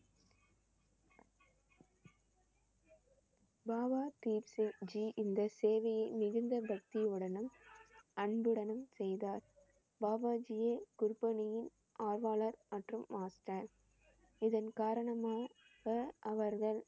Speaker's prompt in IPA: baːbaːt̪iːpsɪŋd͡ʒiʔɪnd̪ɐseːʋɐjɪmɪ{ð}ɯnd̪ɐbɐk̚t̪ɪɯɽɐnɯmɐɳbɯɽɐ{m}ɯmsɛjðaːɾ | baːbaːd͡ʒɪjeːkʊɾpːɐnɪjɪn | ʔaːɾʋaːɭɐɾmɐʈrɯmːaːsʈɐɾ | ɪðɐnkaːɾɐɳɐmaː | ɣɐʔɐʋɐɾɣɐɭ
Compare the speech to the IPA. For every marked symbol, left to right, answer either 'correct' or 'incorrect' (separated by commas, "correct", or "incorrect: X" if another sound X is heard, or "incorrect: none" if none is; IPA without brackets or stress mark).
incorrect: ɣ, incorrect: n